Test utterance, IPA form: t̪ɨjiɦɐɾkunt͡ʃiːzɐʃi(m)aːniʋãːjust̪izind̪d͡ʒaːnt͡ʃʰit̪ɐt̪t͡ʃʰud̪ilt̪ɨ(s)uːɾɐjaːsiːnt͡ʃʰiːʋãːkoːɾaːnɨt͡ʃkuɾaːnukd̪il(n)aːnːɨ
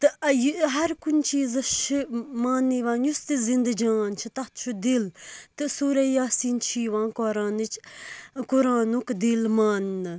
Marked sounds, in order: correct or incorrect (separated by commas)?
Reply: correct, correct, incorrect